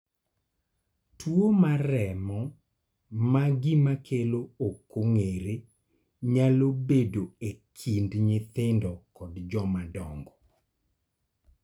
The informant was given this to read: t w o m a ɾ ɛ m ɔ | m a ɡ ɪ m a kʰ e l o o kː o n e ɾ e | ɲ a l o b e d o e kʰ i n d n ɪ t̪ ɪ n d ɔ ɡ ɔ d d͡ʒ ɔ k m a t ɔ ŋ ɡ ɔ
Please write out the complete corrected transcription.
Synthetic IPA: t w o m a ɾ ɛ m ɔ | m a ɡ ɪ m a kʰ e l o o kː o ŋ e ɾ e | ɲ a l o b e d o e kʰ i n d ɲ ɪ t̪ ɪ n d ɔ k ɔ d d͡ʒ ɔ m a d ɔ ŋ ɡ ɔ